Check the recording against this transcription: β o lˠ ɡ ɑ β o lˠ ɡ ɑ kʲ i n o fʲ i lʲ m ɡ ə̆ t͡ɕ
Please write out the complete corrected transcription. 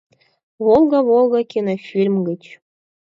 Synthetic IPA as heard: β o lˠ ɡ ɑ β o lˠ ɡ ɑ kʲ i n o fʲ i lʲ m ɡ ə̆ t͡ɕ